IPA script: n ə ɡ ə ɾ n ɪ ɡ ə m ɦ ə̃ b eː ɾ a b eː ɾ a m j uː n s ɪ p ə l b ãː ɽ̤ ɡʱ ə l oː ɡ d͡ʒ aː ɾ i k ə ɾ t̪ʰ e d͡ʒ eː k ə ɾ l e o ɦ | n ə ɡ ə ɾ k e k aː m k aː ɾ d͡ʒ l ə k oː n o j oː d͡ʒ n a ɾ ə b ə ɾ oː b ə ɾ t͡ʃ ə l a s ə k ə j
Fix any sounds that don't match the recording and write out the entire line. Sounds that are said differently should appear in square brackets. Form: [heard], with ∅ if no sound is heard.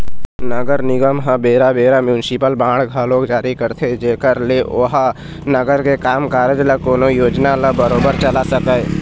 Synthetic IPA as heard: n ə ɡ ə ɾ n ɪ ɡ ə m ɦ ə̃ b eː ɾ a b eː ɾ a m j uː n s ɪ p ə l b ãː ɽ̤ ɡʱ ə l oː ɡ d͡ʒ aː ɾ i k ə ɾ t̪ʰ e d͡ʒ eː k ə ɾ l e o ɦ | n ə ɡ ə ɾ k e k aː m k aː ɾ d͡ʒ l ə k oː n o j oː d͡ʒ n a [l] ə b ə ɾ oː b ə ɾ t͡ʃ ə l a s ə k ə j